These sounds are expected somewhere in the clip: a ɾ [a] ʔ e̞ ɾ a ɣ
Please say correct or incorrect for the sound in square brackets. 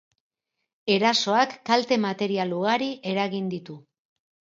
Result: incorrect